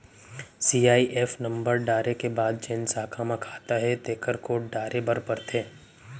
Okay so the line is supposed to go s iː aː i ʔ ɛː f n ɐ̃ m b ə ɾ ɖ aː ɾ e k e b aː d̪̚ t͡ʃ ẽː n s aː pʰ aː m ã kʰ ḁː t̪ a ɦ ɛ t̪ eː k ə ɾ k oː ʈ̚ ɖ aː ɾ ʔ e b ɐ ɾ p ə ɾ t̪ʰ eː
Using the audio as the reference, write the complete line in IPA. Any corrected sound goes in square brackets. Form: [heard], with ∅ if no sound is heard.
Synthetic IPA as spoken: s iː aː i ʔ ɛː f n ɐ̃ m b ə ɾ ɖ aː ɾ e k e b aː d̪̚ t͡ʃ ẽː n s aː [kʰ] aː m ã kʰ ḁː t̪ a ɦ ɛ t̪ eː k ə ɾ k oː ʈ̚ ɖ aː ɾ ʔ e b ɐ ɾ p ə ɾ t̪ʰ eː